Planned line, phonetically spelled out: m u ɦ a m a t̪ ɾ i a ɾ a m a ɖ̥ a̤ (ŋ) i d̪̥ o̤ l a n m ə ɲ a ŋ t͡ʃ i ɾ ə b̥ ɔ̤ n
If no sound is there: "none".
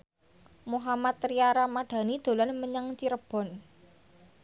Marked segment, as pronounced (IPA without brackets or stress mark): n